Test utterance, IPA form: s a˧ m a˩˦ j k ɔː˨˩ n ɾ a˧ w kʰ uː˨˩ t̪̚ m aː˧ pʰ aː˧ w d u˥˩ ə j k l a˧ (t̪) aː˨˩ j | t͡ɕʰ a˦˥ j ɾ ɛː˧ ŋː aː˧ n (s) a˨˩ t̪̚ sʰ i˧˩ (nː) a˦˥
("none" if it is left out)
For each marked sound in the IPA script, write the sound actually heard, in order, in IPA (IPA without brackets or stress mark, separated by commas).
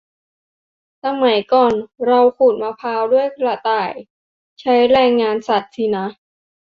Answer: t̪, s, n